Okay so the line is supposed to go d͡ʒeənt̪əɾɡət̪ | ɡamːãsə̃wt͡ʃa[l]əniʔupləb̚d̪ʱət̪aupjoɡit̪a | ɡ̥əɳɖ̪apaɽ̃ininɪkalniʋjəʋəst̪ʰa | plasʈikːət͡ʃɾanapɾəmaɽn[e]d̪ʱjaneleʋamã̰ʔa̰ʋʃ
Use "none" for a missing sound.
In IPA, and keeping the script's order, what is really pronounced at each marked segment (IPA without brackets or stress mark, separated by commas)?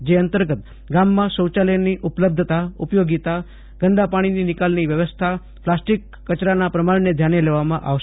l, e